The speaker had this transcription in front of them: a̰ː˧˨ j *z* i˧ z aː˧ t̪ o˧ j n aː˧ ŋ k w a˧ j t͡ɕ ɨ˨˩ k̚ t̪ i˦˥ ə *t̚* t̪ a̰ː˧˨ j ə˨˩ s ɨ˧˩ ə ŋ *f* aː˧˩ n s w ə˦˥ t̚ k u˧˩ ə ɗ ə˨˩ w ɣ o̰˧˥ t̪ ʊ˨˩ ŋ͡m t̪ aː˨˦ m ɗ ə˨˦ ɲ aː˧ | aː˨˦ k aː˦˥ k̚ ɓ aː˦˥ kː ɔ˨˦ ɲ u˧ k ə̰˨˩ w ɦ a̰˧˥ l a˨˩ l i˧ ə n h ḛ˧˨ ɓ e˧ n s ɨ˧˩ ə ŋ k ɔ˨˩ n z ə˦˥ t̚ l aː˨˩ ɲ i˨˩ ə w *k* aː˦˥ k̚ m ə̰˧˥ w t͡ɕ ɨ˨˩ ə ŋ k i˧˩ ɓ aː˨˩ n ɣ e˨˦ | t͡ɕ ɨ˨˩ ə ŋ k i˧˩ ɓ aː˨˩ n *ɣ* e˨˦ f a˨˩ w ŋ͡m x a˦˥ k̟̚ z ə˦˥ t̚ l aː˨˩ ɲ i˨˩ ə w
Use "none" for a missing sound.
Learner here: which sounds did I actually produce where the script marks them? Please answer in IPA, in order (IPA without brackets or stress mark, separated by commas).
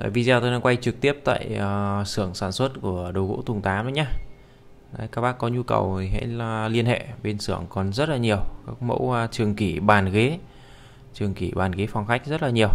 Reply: v, p̚, s, k, ɣ